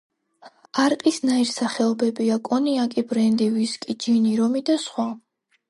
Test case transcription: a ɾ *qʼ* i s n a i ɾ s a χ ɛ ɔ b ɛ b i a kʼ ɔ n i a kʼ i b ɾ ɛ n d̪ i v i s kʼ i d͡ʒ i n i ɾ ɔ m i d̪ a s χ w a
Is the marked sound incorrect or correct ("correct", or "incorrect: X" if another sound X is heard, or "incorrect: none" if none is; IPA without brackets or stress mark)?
correct